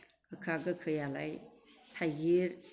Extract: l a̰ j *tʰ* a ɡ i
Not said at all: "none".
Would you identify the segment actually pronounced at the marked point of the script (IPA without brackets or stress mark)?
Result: tʰ